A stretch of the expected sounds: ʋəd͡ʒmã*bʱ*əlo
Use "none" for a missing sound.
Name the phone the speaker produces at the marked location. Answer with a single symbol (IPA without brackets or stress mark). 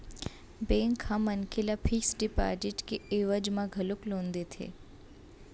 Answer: ɡʱ